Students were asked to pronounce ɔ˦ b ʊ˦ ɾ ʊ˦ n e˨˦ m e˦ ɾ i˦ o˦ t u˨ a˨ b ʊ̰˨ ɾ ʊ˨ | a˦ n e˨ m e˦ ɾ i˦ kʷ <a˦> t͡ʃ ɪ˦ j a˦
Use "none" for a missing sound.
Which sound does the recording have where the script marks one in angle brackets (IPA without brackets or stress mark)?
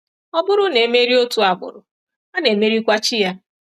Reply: a˦